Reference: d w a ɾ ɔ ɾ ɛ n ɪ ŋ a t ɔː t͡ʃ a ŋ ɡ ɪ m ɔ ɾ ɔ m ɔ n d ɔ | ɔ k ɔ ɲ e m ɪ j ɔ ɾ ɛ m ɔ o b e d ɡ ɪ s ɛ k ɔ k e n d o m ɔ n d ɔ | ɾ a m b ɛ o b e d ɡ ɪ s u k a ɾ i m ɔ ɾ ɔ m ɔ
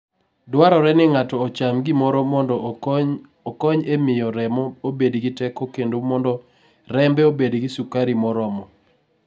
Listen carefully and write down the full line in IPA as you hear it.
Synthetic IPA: d w a ɾ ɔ ɾ ɛ n ɪ ŋ a t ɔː t͡ʃ a m ɡ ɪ m ɔ ɾ ɔ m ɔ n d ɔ | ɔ k ɔ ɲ e m ɪ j ɔ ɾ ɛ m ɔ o b e d ɡ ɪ t ɛ k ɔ k e n d o m ɔ n d ɔ | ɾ ɛ m b ɛ o b e d ɡ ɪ s u k a ɾ i m ɔ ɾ ɔ m ɔ